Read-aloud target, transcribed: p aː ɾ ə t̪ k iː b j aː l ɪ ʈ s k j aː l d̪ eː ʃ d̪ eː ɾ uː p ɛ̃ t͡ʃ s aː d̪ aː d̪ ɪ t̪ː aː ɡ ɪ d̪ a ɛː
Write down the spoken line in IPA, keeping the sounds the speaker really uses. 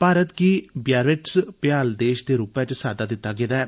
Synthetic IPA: p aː ɾ ə t̪ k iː b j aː ɾ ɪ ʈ s p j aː l d̪ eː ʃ d̪ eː ɾ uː p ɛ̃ t͡ʃ s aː d̪ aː d̪ ɪ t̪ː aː ɡ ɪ d̪ a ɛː